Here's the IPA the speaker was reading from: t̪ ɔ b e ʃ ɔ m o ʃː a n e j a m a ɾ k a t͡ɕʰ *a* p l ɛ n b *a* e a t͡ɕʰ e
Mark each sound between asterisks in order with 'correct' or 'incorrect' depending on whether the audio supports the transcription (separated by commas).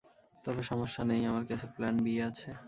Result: incorrect, incorrect